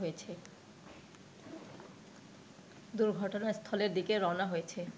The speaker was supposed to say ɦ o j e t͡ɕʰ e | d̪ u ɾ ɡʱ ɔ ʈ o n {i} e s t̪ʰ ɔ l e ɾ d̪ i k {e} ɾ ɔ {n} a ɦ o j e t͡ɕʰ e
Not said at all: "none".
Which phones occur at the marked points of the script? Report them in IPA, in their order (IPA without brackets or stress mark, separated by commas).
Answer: a, e, n